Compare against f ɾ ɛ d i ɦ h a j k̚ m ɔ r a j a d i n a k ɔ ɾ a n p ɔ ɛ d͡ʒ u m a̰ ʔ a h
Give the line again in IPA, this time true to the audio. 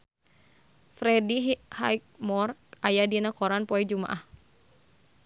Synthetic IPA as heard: f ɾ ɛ d i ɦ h a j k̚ m ɔ r a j a d i n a k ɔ ɾ a n p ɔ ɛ d͡ʒ u m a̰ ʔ a h